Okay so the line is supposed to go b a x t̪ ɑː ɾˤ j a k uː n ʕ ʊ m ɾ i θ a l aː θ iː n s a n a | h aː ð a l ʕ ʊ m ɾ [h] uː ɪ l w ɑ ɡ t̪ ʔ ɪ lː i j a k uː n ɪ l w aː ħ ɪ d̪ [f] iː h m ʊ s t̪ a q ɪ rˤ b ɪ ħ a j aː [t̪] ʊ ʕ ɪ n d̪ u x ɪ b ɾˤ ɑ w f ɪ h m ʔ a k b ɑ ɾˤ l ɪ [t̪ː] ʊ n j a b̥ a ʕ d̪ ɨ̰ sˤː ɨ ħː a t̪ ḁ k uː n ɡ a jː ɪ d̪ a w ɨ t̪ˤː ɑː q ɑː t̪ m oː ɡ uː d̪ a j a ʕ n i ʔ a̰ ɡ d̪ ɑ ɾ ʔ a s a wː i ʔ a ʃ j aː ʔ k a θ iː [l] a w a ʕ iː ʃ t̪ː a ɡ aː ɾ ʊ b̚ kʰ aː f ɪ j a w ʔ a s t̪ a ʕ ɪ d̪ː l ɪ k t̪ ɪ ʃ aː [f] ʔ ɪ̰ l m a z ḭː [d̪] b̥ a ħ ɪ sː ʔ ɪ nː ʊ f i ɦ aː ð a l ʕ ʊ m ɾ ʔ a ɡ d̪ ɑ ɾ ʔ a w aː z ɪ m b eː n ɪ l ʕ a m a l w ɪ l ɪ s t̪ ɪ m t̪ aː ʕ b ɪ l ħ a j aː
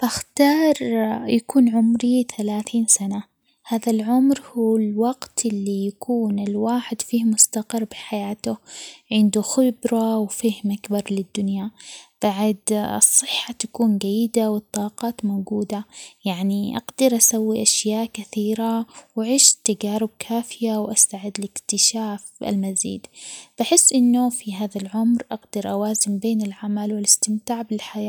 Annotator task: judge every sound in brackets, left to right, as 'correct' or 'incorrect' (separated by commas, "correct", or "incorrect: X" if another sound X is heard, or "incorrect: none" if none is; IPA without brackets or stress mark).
correct, correct, correct, incorrect: d̪ː, incorrect: ɾ, correct, correct